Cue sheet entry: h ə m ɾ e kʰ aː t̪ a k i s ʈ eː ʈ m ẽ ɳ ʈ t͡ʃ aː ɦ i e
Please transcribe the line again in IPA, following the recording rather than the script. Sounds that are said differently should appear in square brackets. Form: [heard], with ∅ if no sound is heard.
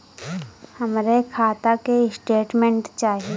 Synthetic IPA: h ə m ɾ e kʰ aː t̪ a k [e] s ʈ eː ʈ m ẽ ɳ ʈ t͡ʃ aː ɦ i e

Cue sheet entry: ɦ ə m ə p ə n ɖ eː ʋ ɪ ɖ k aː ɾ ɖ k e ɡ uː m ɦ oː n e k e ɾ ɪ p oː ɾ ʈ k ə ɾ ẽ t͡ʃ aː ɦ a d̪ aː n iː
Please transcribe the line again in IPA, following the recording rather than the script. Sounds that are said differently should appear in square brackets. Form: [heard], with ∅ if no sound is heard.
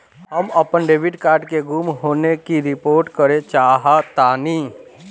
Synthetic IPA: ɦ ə m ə p ə n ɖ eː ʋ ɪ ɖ k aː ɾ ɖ k e ɡ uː m ɦ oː n e k [i] ɾ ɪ p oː ɾ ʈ k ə ɾ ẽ t͡ʃ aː ɦ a [t̪] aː n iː

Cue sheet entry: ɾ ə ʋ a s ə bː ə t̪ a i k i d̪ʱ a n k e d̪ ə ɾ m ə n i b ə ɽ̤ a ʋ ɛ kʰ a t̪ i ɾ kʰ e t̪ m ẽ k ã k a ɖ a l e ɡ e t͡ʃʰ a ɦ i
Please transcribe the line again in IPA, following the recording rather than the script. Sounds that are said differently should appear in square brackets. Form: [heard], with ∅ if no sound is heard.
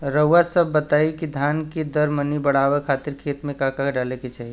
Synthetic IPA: ɾ ə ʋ a s ə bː ə t̪ a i k i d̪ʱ a n k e d̪ ə ɾ m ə n i b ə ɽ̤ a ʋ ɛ kʰ a t̪ i ɾ kʰ e t̪ m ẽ k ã k a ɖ a l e [k] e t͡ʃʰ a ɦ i

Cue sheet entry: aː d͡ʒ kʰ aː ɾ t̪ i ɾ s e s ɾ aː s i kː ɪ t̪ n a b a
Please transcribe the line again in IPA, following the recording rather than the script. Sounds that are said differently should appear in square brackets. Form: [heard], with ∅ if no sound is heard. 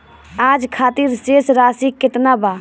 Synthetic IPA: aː d͡ʒ kʰ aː [∅] t̪ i ɾ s e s ɾ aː s i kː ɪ t̪ n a b a

